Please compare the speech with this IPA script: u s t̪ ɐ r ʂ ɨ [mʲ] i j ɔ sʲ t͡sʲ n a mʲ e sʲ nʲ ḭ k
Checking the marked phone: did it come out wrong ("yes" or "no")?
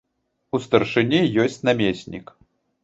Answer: yes